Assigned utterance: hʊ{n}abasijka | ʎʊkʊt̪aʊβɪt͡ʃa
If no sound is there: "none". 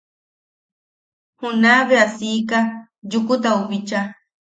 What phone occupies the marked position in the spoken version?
n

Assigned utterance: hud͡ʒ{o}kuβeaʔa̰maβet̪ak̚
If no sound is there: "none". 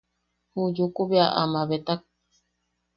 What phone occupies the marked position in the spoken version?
u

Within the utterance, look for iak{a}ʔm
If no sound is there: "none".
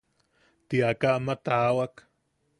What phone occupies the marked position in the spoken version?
a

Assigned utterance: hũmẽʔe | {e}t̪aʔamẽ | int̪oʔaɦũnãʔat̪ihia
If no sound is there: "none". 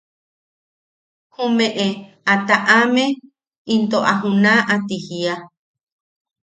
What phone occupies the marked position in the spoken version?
a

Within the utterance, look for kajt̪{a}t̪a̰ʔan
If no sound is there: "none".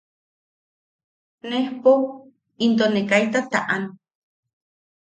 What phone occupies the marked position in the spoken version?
a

